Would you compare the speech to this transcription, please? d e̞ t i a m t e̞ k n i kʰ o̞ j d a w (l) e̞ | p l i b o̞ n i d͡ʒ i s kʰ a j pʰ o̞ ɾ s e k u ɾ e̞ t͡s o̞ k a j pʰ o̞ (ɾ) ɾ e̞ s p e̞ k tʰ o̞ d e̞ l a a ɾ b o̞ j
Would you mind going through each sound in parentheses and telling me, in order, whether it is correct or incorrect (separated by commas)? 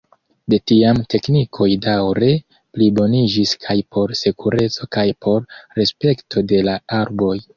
incorrect, correct